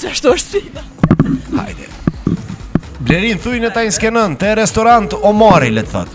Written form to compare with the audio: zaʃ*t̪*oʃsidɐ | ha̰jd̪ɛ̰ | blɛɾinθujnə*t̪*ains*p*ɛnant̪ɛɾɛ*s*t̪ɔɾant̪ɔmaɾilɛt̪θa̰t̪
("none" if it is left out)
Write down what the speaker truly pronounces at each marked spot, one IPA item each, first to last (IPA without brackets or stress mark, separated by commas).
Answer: t̪, t̪, k, s